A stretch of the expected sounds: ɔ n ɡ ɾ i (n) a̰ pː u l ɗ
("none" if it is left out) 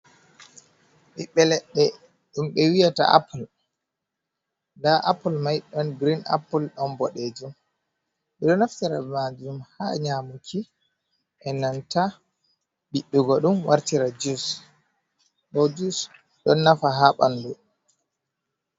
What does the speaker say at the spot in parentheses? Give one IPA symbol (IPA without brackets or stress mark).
n